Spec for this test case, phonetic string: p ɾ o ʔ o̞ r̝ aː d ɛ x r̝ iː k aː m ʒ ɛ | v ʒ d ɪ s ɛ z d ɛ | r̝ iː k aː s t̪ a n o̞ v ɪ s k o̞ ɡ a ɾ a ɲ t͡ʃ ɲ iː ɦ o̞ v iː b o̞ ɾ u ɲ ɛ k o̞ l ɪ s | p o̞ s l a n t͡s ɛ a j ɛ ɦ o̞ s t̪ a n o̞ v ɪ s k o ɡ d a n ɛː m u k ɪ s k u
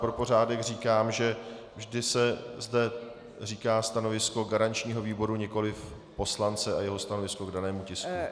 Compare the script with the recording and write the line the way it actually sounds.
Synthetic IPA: p ɾ o p o̞ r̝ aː d ɛ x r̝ iː k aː m ʒ ɛ | v ʒ d ɪ s ɛ z d ɛ | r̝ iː k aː s t̪ a n o̞ v ɪ s k o̞ ɡ a ɾ a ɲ t͡ʃ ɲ iː ɦ o̞ v iː b o̞ ɾ u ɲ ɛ k o̞ l ɪ f | p o̞ s l a n t͡s ɛ a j ɛ ɦ o̞ s t̪ a n o̞ v ɪ s k o ɡ d a n ɛː m u c ɪ s k u